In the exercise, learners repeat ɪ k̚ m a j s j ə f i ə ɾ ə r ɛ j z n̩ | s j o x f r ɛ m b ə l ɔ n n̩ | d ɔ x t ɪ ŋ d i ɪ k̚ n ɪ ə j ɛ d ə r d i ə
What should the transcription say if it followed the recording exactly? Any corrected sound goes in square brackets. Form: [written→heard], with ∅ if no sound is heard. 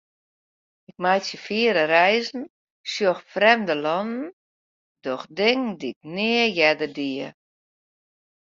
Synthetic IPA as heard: ɪ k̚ m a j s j ə f i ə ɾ ə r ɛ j z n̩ | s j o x f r ɛ m [b→d] ə l ɔ n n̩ | d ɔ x [t→d] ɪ ŋ d i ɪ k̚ n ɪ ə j ɛ d ə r d i ə